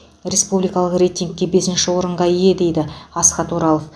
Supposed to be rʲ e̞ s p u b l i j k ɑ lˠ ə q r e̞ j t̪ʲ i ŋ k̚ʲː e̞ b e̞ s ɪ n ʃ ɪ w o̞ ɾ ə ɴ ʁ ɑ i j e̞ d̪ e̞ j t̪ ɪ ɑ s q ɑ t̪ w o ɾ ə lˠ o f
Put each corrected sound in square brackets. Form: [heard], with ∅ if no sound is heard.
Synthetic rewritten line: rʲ e̞ s p u b l i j k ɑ lˠ ə q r e̞ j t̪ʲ i ŋ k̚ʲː e̞ b e̞ s ɪ n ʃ ɪ w o̞ ɾ ə ɴ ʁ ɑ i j e̞ d̪ e̞ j [d̪] ɪ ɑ s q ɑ t̪ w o ɾ [ɑ] lˠ o f

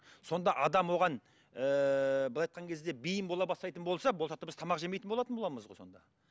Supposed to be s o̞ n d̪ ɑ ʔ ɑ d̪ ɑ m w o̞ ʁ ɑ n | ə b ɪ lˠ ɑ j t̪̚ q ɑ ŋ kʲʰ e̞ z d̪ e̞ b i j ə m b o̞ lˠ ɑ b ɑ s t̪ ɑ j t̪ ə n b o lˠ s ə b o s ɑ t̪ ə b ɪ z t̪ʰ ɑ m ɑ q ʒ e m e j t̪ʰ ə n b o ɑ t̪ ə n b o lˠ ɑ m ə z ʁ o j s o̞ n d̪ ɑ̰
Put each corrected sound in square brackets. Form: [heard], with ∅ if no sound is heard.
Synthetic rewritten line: s o̞ n d̪ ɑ ʔ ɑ d̪ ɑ m w o̞ ʁ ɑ n | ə b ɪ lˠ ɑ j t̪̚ q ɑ ŋ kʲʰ e̞ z d̪ e̞ b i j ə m b o̞ lˠ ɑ b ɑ s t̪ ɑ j t̪ ə n b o lˠ s [ɑ] b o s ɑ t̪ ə b ɪ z t̪ʰ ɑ m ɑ q ʒ e m e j [t̪] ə n b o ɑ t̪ ə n b o lˠ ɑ m ə z ʁ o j s o̞ n d̪ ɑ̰

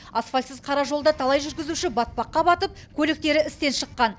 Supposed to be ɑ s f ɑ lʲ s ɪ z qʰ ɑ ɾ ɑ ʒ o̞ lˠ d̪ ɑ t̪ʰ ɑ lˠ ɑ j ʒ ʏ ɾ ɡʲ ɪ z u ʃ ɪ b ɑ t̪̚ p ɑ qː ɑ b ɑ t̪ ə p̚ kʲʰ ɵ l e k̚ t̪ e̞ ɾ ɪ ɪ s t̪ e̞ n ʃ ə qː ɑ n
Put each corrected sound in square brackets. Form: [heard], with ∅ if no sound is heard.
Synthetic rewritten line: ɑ s f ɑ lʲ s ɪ z qʰ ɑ ɾ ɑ ʒ o̞ lˠ d̪ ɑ t̪ʰ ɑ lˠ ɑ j ʒ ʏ ɾ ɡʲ ɪ z u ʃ ɪ b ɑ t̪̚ p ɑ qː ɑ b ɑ t̪ ə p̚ kʲʰ ɵ l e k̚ t̪ e̞ ɾ ɪ ɪ s t̪ e̞ n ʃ ə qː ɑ n

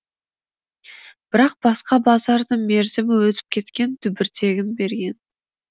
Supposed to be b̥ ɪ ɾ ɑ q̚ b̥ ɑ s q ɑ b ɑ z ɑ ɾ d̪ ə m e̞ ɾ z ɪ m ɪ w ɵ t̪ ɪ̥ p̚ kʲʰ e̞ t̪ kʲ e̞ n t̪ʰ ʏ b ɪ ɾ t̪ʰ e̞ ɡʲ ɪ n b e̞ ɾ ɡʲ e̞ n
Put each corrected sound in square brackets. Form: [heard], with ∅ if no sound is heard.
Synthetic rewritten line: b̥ ɪ ɾ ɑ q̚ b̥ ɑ s q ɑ b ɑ z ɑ ɾ d̪ ə m e̞ ɾ z ɪ m ɪ w ɵ t̪ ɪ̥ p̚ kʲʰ e̞ t̪ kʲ e̞ n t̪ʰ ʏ b ɪ ɾ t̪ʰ e̞ ɡʲ ɪ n b e̞ ɾ ɡʲ e̞ n

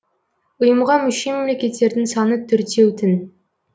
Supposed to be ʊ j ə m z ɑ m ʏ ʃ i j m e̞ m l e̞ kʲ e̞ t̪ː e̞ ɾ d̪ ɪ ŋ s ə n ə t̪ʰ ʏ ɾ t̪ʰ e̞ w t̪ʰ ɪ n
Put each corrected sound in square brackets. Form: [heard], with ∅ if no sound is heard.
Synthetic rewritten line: ʊ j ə m [ʁ] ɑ m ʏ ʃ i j m e̞ m l e̞ kʲ e̞ t̪ː e̞ ɾ d̪ ɪ ŋ s [ɑ] n ə t̪ʰ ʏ ɾ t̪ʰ e̞ w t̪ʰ ɪ n

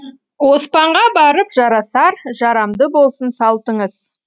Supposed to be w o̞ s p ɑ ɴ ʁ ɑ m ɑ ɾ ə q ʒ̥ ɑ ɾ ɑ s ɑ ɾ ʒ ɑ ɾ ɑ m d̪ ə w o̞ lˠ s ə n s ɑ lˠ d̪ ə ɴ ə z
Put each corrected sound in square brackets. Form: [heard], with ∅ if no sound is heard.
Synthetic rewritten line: w o̞ s p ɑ ɴ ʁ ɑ [b] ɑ ɾ ə [p] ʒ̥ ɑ ɾ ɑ s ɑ ɾ ʒ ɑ ɾ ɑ m d̪ ə [b] o̞ lˠ s ə n s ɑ lˠ [t̪] ə ɴ ə z

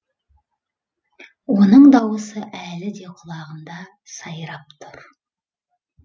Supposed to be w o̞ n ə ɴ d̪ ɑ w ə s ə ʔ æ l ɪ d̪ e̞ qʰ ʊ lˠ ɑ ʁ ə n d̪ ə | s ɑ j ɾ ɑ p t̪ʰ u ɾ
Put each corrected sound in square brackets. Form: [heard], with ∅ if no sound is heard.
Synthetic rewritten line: w o̞ n ə ɴ d̪ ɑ w ə s ə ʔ æ l ɪ d̪ e̞ qʰ ʊ lˠ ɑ ʁ ə n d̪ [ɑ] | s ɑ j ɾ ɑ p t̪ʰ [ʊ] ɾ

